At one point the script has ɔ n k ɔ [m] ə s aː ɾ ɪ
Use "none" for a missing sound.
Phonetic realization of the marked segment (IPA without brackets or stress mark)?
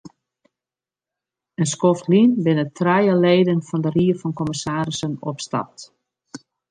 m